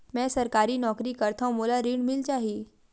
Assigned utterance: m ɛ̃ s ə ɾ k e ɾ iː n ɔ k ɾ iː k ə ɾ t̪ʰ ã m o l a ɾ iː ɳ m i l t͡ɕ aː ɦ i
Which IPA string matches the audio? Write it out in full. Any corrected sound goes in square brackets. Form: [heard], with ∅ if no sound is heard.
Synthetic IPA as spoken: m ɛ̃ s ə ɾ k [a] ɾ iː n ɔ k ɾ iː k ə ɾ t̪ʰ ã m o l a ɾ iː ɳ m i l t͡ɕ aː ɦ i

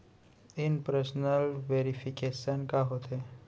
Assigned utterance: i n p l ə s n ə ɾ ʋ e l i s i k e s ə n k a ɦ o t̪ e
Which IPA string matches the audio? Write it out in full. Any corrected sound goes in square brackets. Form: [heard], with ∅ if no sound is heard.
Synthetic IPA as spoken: i n p [ɾ] ə s n ə [l] ʋ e [ɾ] i [f] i k e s ə n k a ɦ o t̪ e

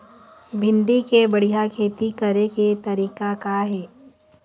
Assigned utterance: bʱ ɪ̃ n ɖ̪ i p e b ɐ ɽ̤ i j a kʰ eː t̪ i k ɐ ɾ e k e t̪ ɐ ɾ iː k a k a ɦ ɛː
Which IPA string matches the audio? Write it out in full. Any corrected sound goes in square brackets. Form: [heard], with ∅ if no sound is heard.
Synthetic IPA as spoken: bʱ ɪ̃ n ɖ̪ i [k] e b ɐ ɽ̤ i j a kʰ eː t̪ i k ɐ ɾ e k e t̪ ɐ ɾ iː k a k a ɦ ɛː

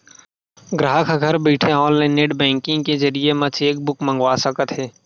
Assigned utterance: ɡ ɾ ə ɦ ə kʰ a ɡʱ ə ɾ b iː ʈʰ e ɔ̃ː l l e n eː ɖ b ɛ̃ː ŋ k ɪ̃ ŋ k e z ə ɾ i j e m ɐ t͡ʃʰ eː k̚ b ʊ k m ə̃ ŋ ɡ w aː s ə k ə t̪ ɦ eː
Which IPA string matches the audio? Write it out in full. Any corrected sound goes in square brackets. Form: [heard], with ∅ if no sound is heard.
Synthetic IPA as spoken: ɡ ɾ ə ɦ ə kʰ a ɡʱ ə ɾ b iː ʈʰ e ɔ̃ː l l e n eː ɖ b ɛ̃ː ŋ k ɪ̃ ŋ k e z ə ɾ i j e m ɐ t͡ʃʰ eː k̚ b ʊ k m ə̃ ŋ ɡ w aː s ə k ə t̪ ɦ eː

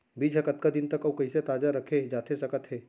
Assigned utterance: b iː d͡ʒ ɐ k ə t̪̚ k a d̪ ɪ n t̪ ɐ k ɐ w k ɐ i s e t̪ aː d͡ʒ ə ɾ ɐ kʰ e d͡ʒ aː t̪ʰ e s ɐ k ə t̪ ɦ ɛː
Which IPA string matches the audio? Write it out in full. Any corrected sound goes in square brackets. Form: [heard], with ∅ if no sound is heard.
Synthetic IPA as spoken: b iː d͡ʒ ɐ k ə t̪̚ k a d̪ ɪ n t̪ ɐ k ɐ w k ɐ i s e t̪ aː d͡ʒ [a] ɾ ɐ kʰ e d͡ʒ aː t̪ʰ e s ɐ k ə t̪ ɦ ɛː

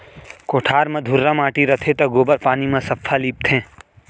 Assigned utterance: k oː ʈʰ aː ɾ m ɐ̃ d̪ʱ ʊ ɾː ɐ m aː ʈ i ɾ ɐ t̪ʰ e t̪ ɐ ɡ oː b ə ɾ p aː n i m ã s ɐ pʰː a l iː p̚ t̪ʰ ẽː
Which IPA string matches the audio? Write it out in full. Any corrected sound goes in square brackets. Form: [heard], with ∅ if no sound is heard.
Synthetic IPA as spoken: k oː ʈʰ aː ɾ m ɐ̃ d̪ʱ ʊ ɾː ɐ m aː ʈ i ɾ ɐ t̪ʰ e t̪ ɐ ɡ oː b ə ɾ p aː n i m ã s ɐ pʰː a l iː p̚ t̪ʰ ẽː

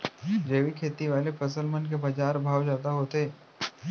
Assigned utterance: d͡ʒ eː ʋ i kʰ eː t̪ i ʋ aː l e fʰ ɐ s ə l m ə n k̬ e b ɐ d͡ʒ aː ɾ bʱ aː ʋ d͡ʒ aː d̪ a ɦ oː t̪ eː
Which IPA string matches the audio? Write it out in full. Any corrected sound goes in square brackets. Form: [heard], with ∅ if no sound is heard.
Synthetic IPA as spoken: d͡ʒ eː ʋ i kʰ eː t̪ i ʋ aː l e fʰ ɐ s ə l m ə n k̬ e b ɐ d͡ʒ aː ɾ bʱ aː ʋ d͡ʒ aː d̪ a ɦ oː t̪ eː

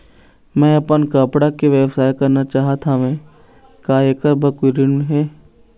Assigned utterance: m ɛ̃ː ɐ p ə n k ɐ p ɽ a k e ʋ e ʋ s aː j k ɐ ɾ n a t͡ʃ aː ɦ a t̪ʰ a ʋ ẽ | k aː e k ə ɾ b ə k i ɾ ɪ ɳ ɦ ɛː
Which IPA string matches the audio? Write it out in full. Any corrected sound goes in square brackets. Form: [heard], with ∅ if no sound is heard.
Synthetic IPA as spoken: m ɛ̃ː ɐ p ə n k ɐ p ɽ a k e ʋ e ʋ s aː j k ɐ ɾ n a t͡ʃ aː ɦ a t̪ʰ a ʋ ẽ | k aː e k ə ɾ b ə k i ɾ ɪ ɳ ɦ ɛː

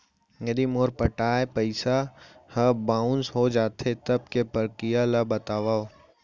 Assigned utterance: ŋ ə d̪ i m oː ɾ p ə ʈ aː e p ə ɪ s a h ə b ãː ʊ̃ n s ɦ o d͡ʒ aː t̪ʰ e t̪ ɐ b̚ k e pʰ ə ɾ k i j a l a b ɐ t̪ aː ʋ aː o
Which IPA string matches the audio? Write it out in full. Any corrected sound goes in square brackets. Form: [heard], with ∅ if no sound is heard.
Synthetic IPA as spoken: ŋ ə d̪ i m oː ɾ p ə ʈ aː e p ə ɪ s a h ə b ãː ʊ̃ n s ɦ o d͡ʒ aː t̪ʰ e t̪ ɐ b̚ k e [p] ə ɾ k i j a l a b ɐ t̪ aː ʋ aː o

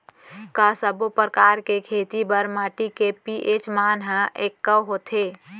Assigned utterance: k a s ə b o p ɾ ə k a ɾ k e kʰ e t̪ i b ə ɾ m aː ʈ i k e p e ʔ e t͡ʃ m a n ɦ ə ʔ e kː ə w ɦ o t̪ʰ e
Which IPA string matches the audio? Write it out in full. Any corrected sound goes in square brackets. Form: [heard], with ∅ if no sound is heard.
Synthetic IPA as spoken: k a s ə b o p ɾ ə k a ɾ k e kʰ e t̪ i b ə ɾ m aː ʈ i k e p [i] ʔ e t͡ʃ m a n ɦ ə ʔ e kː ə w ɦ o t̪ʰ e

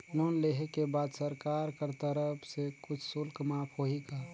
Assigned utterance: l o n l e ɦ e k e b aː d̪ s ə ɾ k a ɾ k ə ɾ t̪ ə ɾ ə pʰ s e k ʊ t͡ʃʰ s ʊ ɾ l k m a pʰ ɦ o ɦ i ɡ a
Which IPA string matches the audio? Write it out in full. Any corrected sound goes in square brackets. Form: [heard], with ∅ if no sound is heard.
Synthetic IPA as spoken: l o n l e ɦ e k e b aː d̪ s ə ɾ k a ɾ k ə ɾ t̪ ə ɾ ə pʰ s e k ʊ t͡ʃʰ s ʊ [∅] l k m a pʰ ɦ o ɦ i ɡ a

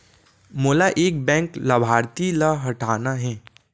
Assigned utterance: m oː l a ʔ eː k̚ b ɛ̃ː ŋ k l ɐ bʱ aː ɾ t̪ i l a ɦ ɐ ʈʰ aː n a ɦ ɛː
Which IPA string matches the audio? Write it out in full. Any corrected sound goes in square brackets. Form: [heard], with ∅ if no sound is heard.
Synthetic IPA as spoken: m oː l a ʔ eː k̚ b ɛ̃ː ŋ k l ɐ bʱ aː ɾ t̪ i l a ɦ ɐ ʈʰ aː n a ɦ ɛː

